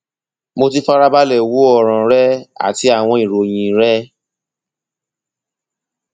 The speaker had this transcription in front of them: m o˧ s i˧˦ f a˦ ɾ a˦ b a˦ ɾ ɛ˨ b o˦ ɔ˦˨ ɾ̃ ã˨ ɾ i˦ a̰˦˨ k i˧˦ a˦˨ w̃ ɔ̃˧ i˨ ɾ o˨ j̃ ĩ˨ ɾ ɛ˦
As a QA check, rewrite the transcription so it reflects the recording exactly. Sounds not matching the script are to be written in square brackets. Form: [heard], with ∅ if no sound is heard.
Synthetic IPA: m o˧ [t] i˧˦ f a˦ ɾ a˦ b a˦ [l] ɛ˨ [w] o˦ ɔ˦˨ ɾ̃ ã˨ ɾ [ɛ˦] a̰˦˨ [t] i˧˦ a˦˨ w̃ ɔ̃˧ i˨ ɾ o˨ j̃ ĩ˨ ɾ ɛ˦